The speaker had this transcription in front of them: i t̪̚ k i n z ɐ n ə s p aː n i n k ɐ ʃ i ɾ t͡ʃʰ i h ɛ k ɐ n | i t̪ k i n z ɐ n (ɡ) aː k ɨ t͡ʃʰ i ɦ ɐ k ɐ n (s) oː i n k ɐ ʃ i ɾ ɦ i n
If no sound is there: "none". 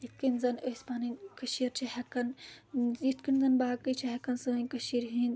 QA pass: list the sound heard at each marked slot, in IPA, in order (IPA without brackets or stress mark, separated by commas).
b, s